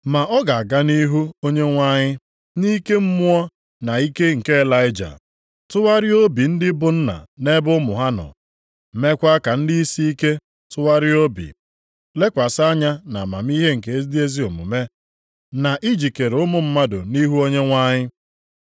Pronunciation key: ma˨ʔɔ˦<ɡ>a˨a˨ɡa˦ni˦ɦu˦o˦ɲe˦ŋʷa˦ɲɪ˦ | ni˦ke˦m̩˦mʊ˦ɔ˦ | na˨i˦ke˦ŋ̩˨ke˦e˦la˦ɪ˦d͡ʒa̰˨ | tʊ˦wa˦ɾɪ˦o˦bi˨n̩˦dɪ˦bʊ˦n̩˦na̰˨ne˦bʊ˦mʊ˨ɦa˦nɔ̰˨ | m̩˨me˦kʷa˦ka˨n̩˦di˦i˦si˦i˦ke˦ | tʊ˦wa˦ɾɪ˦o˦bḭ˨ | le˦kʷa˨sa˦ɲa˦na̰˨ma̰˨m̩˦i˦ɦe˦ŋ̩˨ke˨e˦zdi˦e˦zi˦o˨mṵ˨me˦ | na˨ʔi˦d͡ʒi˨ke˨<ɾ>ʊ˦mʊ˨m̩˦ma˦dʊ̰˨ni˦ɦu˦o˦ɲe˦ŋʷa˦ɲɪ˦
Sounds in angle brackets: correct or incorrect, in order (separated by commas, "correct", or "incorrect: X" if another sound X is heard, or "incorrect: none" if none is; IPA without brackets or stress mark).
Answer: correct, correct